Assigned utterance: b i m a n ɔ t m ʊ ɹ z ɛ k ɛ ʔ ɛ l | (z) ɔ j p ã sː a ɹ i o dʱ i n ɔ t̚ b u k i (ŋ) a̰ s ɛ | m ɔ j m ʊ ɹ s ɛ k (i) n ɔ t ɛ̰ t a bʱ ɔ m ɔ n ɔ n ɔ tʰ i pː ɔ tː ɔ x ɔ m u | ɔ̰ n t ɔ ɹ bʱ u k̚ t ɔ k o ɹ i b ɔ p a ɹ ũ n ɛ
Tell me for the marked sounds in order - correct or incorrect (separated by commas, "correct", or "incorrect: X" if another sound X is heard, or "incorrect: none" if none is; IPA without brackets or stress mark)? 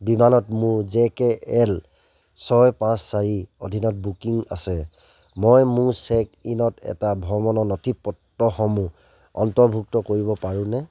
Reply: incorrect: s, correct, correct